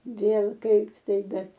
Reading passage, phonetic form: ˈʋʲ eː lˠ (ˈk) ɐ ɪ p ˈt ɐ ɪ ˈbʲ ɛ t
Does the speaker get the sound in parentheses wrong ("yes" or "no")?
no